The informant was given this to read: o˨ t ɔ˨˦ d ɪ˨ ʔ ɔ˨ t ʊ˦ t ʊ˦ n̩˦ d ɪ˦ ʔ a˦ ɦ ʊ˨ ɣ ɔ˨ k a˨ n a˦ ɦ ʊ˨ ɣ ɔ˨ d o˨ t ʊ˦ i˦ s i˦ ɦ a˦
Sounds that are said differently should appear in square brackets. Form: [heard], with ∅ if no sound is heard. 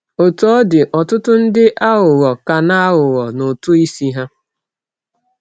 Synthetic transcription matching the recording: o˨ t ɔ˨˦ d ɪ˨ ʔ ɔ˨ t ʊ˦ t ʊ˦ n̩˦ d ɪ˦ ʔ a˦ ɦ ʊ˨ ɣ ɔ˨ k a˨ n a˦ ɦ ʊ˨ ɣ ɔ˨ [n] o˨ t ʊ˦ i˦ s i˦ ɦ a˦